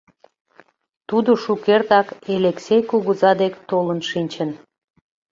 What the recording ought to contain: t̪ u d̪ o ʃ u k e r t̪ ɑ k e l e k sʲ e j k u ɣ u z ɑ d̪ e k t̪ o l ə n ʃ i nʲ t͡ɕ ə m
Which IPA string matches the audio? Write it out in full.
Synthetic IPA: t̪ u d̪ o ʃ u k e r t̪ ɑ k e l e k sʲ e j k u ɣ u z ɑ d̪ e k t̪ o l ə n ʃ i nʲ t͡ɕ ə n

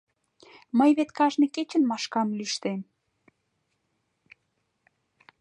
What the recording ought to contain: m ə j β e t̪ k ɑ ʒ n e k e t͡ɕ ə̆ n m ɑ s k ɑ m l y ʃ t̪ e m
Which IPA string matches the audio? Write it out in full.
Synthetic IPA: m ə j β e t̪ k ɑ ʒ n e k e t͡ɕ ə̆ n m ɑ ʃ k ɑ m l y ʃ t̪ e m

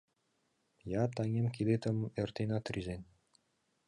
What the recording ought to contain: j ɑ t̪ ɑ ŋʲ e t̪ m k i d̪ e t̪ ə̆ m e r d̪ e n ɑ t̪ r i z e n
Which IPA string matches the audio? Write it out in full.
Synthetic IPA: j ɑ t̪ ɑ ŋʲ e m k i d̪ e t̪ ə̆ m e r t̪ e n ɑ t̪ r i z e n

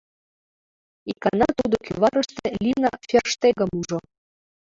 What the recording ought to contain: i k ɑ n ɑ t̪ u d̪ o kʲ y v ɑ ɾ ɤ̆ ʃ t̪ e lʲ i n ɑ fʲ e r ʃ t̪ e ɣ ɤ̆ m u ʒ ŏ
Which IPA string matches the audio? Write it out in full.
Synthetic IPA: i k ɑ n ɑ t̪ u d̪ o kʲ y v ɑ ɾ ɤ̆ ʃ t̪ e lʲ i n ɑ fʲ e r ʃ t̪ e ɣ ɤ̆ m u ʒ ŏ

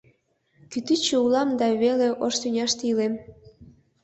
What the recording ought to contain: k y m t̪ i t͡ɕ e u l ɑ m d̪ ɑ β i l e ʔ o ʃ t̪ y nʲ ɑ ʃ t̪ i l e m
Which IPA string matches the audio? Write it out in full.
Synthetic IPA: k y t̪ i t͡ɕ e u l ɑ m d̪ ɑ β e l e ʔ o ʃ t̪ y nʲ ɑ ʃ t̪ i l e m

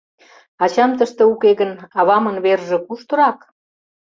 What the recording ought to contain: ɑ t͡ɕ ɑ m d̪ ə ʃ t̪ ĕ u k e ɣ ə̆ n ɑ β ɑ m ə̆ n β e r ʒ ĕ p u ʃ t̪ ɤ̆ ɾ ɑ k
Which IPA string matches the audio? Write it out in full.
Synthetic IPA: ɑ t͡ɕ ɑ m t̪ ə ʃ t̪ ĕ u k e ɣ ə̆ n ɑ β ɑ m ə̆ n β e r ʒ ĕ k u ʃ t̪ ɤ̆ ɾ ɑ k

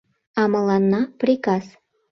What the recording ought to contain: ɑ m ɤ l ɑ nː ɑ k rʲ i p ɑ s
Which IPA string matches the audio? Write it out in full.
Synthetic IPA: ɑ m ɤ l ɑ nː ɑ p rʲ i k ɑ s

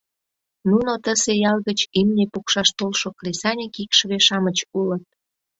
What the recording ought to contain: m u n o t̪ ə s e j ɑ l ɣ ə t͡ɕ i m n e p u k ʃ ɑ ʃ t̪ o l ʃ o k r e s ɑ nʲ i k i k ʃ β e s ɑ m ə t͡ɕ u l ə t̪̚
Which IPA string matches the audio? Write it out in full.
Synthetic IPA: n u n o t̪ ə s e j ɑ l ɣ ə t͡ɕ i m n e p u k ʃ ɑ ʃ t̪ o l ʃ o k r e s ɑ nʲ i k i k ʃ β e ʃ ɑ m ə t͡ɕ u l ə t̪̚

